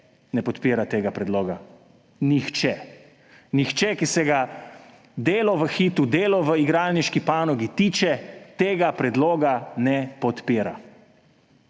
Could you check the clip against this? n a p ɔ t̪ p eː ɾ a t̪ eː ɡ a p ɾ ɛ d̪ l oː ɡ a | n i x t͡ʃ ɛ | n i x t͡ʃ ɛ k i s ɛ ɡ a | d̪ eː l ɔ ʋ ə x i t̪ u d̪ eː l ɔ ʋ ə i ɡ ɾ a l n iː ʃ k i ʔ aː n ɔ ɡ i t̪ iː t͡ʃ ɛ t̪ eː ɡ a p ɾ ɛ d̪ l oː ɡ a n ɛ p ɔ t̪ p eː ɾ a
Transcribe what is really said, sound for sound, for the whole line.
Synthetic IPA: n ɛ p ɔ t̪ p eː ɾ a t̪ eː ɡ a p ɾ ɛ d̪ l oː ɡ a | n i x t͡ʃ ɛ | n i x t͡ʃ ɛ k i s ɛ ɡ a | d̪ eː l ɔ ʋ ə x i t̪ u d̪ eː l ɔ ʋ ə i ɡ ɾ a l n i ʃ k i p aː n ɔ ɡ i t̪ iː t͡ʃ ɛ t̪ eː ɡ a p ɾ ɛ d̪ l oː ɡ a n ɛ p ɔ t̪ p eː ɾ a